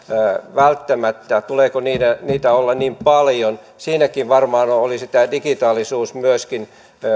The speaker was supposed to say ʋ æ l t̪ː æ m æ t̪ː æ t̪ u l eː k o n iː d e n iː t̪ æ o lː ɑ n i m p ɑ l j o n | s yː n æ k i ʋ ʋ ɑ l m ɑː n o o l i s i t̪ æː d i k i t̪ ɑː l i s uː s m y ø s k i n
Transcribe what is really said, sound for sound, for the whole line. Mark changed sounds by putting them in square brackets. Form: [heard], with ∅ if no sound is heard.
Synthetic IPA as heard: ʋ æ l t̪ː æ m æ t̪ː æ t̪ u l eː k o n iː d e n iː t̪ æ o lː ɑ n i m p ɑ l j o n | s [iː] n æ k i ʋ ʋ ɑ [r] m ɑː n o o l i s i t̪ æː d i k i t̪ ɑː l i s uː s m y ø s k i n